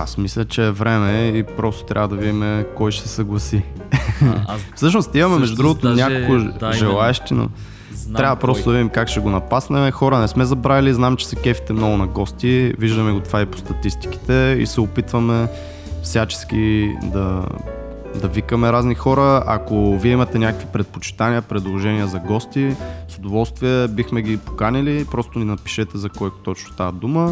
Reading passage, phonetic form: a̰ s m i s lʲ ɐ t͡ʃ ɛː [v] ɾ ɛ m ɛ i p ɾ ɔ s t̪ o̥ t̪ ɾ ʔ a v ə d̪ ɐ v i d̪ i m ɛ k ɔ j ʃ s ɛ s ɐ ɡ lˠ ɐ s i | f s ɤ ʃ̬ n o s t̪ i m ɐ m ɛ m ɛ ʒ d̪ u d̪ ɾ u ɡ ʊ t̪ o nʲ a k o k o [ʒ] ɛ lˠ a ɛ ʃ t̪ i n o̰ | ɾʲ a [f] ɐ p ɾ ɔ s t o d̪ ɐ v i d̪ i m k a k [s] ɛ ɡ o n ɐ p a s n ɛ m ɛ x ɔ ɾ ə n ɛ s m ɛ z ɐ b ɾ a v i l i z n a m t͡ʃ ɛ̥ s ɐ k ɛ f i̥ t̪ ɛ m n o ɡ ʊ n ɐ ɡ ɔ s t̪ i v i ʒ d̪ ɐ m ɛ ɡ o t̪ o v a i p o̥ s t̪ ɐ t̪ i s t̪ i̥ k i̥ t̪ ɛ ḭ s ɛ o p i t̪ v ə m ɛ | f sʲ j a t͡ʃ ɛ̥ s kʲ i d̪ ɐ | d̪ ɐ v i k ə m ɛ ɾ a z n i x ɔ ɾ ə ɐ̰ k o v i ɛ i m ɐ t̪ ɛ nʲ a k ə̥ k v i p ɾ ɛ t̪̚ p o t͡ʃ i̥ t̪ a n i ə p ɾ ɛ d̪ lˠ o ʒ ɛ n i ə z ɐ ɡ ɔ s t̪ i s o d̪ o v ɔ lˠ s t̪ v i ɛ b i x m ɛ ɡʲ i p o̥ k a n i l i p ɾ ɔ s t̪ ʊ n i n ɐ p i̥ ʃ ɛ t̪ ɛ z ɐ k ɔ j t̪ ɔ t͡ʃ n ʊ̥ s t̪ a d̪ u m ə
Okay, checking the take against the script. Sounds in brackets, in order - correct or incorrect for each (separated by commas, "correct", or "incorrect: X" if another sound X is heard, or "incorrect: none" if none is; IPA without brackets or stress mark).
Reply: correct, correct, incorrect: v, incorrect: ʃ